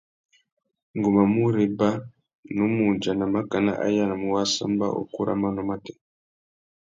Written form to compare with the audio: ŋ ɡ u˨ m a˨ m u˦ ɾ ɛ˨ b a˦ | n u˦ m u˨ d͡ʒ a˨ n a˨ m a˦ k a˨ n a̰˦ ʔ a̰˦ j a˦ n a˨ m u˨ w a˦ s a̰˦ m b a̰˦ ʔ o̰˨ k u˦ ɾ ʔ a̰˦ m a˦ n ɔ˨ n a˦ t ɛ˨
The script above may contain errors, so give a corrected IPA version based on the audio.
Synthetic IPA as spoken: ŋ ɡ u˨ m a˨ m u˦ ɾ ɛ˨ b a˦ | n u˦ m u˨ d͡ʒ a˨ n a˨ m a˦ k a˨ n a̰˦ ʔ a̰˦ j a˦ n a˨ m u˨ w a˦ s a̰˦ m b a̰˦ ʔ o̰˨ k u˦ ɾ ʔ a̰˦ m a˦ n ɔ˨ m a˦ t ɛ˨